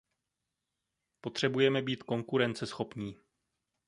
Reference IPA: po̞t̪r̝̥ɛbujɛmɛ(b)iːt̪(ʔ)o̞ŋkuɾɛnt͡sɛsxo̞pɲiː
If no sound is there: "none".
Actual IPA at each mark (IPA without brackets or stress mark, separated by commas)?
b, k